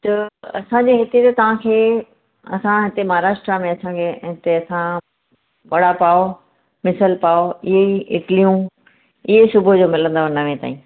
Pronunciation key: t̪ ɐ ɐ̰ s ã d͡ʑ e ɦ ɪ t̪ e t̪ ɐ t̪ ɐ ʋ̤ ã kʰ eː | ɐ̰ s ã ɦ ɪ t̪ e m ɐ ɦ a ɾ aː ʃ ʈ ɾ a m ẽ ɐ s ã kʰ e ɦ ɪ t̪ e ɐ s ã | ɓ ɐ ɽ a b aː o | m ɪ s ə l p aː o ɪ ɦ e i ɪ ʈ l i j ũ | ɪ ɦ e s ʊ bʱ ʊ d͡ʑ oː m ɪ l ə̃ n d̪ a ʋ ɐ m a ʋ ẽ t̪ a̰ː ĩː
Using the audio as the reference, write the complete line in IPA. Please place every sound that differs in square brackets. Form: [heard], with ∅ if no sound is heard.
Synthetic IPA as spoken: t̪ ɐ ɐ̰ s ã d͡ʑ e ɦ ɪ t̪ e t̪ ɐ t̪ ɐ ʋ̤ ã kʰ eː | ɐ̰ s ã ɦ ɪ t̪ e m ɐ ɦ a ɾ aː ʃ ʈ ɾ a m ẽ ɐ s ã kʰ e ɦ ɪ t̪ e ɐ s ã | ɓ ɐ ɽ a [p] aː o | m ɪ s ə l p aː o ɪ ɦ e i ɪ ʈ l i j ũ | ɪ ɦ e s ʊ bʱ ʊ d͡ʑ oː m ɪ l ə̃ n d̪ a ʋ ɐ [n] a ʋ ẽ t̪ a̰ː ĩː